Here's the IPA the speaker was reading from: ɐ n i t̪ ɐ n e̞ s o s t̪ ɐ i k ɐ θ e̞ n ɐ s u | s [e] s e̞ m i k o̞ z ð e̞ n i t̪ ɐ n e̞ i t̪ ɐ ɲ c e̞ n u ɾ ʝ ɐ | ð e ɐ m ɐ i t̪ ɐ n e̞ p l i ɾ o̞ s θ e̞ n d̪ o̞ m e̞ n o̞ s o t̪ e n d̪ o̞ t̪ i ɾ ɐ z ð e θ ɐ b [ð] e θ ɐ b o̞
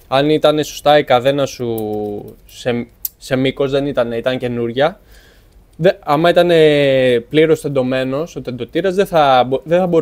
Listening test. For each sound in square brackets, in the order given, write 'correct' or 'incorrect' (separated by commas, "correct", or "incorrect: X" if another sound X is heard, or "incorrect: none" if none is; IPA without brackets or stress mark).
correct, correct